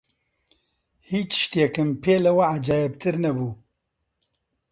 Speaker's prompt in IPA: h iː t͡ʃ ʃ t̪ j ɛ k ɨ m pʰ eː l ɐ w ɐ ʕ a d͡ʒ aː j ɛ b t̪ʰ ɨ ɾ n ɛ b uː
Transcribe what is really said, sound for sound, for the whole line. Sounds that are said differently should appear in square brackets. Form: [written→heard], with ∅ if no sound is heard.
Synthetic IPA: h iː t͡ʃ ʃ t̪ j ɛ k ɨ m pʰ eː l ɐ w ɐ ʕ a d͡ʒ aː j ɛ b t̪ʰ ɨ ɾ n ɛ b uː